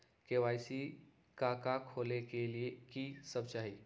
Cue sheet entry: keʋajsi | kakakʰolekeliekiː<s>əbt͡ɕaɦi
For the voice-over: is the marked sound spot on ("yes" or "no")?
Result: yes